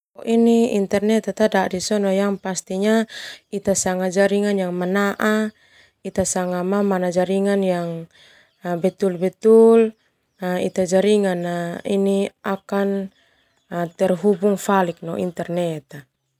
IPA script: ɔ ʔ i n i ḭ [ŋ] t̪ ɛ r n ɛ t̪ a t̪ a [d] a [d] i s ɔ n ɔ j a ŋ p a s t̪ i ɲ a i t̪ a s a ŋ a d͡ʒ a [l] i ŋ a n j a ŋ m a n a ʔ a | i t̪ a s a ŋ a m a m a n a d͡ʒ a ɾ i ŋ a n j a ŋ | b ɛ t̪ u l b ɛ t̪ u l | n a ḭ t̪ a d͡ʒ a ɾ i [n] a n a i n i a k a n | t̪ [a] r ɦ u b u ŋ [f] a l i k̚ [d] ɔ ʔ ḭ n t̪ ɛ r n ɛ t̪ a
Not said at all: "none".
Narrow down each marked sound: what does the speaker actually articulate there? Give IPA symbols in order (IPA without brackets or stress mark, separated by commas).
n, d, d, ɾ, ŋ, ɛ, f, n